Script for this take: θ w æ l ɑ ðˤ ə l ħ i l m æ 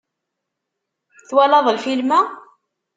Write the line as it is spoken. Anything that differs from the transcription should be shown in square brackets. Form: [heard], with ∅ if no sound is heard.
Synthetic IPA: θ w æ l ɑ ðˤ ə l [f] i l m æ